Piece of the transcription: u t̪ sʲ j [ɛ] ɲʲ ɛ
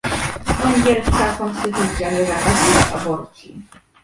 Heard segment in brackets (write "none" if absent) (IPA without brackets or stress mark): a